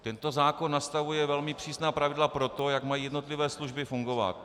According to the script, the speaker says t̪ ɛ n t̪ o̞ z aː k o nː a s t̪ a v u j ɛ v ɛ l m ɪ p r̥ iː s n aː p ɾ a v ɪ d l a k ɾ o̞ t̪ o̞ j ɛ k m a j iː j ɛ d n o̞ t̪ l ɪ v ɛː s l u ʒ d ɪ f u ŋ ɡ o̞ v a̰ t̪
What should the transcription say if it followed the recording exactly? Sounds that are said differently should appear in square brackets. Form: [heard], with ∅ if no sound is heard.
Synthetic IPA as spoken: t̪ ɛ n t̪ o̞ z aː k o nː a s t̪ a v u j ɛ v ɛ l m ɪ p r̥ iː s n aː p ɾ a v ɪ d l a [p] ɾ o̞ t̪ o̞ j [a] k m a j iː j ɛ d n o̞ t̪ l ɪ v ɛː s l u ʒ [b] ɪ f u ŋ ɡ o̞ v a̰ t̪